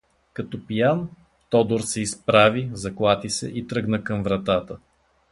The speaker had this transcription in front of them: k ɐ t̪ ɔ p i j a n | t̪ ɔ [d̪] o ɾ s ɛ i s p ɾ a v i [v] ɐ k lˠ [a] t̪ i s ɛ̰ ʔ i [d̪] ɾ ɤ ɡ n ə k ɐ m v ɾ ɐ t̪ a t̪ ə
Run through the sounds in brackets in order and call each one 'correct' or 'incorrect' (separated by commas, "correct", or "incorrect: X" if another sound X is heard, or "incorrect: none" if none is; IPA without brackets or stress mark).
correct, incorrect: z, correct, incorrect: t̪